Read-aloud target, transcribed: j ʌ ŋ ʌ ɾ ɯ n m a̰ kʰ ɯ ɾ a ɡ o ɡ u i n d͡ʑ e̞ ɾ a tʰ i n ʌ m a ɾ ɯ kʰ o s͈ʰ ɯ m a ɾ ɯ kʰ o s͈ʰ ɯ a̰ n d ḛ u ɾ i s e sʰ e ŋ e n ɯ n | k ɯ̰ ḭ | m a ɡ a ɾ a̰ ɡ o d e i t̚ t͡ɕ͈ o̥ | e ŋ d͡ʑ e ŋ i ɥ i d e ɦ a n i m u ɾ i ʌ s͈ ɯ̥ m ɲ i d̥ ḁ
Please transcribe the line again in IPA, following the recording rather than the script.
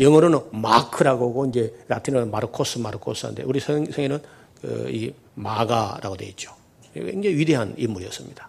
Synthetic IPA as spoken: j ʌ ŋ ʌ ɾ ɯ n m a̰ kʰ ɯ ɾ a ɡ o ɡ o i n d͡ʑ e̞ ɾ a tʰ i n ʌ m a ɾ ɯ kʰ o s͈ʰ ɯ m a ɾ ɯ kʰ o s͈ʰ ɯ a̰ n d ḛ u ɾ i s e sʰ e ŋ e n ɯ n | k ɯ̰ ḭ | m a ɡ a ɾ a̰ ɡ o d e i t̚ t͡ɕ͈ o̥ | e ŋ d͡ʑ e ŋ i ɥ i d e ɦ a n i m u ɾ i ʌ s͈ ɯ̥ m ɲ i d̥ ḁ